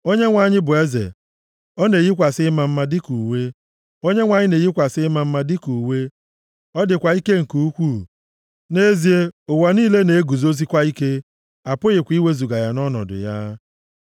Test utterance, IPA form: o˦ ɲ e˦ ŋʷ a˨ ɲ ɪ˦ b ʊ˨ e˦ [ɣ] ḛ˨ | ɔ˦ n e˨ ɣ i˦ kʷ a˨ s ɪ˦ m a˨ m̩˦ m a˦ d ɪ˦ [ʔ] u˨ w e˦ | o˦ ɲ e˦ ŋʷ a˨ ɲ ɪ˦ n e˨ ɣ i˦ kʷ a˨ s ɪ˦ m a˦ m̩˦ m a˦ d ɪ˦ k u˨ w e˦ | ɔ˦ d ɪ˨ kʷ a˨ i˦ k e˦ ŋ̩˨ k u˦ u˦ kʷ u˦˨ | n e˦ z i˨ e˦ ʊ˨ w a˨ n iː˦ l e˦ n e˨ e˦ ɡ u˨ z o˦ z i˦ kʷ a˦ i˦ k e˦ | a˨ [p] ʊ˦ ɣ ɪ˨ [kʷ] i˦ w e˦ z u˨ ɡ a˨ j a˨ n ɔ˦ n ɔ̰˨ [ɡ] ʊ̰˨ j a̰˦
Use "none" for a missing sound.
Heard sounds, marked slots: z, k, p, kʷ, d

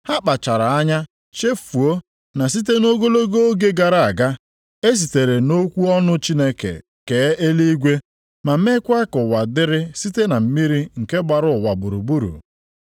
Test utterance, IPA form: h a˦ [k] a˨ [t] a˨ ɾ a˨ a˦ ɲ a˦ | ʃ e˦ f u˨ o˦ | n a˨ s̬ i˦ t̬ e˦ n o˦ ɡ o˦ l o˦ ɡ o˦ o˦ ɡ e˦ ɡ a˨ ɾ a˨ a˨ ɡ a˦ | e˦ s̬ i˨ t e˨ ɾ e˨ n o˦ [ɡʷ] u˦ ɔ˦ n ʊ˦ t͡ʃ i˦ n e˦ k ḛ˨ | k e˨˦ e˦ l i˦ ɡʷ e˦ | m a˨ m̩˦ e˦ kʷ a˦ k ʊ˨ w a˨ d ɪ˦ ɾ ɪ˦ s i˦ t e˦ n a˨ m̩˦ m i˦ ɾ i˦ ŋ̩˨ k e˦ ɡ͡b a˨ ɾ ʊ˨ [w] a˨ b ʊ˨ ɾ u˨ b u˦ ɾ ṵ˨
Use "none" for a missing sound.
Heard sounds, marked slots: k͡p, t͡ʃ, kʷ, w

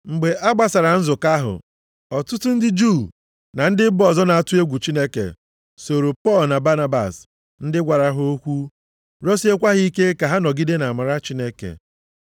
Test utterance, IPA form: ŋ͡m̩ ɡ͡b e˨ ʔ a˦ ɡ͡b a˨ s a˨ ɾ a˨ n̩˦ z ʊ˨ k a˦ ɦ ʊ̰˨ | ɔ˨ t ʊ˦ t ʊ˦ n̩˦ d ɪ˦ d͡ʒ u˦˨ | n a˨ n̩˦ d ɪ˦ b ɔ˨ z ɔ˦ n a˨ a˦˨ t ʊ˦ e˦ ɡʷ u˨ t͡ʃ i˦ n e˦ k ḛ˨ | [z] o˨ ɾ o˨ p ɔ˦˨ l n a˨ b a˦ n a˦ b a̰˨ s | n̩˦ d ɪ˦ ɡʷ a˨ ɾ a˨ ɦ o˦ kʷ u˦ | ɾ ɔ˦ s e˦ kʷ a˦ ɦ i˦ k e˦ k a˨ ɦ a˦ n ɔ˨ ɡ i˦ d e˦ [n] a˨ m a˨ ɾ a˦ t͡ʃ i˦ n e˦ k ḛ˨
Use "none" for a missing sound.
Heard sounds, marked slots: s, n

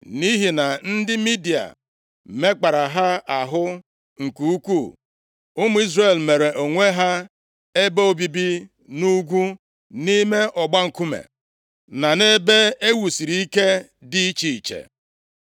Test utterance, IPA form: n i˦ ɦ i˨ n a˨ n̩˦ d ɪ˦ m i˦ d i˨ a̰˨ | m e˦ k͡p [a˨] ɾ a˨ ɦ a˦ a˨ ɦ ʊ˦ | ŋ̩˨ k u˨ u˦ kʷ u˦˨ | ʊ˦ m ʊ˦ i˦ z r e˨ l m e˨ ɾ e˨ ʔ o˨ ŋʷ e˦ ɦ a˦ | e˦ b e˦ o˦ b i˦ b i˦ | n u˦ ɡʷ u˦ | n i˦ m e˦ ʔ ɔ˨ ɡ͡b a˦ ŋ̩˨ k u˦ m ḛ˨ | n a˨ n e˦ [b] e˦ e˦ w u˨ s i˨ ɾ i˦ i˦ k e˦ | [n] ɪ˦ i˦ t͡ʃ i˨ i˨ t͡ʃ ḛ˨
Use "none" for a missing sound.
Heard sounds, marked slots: a˨, b, d

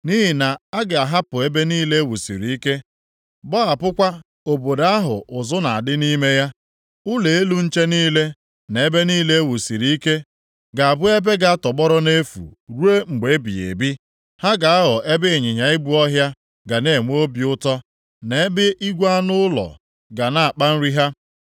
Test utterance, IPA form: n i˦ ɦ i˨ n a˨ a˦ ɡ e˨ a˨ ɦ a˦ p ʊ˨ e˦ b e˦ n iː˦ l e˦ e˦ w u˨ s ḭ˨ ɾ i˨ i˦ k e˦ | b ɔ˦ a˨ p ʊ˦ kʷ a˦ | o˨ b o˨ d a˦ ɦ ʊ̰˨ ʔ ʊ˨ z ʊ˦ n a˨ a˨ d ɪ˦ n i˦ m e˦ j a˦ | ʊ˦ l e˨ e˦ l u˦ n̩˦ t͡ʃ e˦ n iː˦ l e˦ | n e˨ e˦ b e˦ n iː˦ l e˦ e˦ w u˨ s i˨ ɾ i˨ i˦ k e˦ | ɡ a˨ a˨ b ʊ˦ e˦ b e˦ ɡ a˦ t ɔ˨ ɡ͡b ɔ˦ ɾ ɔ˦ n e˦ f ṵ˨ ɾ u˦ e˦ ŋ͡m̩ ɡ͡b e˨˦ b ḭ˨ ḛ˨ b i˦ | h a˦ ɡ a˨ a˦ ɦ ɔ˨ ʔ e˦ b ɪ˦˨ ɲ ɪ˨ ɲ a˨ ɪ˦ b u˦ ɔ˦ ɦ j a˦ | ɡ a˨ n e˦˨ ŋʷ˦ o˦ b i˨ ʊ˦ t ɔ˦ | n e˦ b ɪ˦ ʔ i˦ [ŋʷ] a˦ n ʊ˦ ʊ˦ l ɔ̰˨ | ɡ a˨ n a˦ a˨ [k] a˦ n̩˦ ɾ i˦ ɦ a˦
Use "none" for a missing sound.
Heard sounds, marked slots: ɡʷ, k͡p

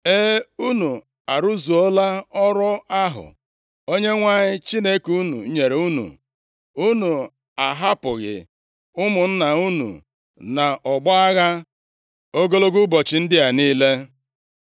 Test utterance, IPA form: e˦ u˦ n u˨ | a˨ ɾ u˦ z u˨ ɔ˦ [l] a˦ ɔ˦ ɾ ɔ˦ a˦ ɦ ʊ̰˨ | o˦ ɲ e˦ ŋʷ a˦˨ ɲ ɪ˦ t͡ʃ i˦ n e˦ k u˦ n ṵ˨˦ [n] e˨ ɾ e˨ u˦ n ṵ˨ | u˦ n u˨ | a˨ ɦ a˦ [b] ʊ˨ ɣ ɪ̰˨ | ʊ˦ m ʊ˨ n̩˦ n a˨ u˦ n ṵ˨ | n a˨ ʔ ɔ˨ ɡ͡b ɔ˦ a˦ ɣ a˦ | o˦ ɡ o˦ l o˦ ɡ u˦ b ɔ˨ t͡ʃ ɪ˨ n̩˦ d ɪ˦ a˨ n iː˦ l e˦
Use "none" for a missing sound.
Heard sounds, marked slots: l, ɲ, p

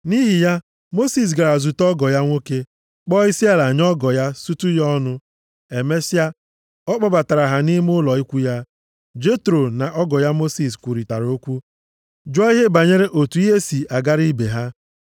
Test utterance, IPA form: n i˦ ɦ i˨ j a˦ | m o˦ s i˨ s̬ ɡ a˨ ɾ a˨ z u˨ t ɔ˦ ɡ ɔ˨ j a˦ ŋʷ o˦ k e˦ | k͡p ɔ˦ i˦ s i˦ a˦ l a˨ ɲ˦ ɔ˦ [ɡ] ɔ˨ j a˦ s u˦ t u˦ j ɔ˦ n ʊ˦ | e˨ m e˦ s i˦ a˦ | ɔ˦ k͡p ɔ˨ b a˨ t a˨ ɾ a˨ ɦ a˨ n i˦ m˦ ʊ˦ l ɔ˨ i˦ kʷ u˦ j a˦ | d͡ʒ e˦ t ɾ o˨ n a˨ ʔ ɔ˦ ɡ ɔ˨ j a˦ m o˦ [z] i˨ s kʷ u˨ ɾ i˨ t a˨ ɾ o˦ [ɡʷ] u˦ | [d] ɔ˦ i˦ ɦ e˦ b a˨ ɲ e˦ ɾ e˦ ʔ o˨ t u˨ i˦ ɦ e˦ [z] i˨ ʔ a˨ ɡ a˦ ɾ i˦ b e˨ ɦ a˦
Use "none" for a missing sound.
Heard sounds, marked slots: ɡ, s, kʷ, d͡ʒ, s

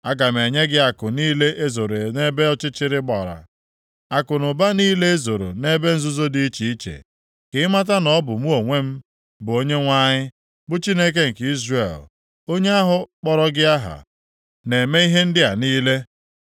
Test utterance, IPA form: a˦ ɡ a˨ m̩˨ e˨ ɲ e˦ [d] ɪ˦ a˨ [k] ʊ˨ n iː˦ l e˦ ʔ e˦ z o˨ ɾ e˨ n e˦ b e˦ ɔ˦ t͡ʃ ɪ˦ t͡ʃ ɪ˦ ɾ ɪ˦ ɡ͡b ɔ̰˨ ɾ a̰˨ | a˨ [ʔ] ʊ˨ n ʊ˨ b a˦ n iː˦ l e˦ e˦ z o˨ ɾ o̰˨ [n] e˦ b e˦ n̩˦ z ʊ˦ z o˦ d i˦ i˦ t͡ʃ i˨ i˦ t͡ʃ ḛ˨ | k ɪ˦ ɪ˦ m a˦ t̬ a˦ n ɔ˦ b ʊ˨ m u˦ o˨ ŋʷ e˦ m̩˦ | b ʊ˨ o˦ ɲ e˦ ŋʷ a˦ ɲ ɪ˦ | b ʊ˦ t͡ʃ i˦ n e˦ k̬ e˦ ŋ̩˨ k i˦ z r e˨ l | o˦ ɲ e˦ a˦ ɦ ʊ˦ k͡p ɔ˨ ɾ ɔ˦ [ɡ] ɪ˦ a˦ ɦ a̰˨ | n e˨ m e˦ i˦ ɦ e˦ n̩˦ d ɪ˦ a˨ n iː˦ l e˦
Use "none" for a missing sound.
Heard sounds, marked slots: ɡ, k, k, n, ɡ

